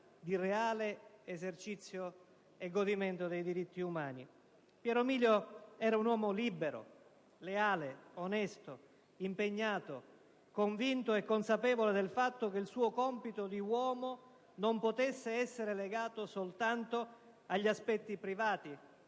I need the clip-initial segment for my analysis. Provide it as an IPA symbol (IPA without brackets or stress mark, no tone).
d̪